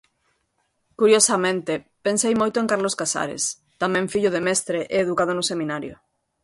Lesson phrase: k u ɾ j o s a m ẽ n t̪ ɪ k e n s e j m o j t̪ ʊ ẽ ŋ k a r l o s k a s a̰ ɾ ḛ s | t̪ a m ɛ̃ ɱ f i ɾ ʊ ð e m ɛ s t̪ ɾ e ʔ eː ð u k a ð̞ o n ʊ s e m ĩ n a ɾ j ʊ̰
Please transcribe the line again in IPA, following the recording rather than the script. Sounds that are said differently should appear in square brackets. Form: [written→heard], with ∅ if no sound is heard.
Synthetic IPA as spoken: k u ɾ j o s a m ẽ n t̪ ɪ [k→p] e n s e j m o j t̪ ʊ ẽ ŋ k a [r→ɾ] l o s k a s a̰ ɾ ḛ s | t̪ a m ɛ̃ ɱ f i [ɾ→ʎ] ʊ ð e m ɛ s t̪ ɾ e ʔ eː ð u k a ð̞ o n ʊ s e m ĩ n a ɾ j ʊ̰